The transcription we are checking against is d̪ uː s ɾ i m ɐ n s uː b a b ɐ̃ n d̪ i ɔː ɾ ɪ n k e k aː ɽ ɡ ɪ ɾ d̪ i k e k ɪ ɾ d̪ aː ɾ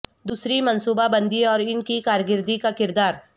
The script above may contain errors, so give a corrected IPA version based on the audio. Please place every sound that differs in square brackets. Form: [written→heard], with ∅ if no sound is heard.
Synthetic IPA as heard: d̪ uː s ɾ i m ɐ n s uː b a b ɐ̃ n d̪ i ɔː ɾ ɪ n k [e→i] k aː [ɽ→ɾ] ɡ ɪ ɾ d̪ i k [e→a] k ɪ ɾ d̪ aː ɾ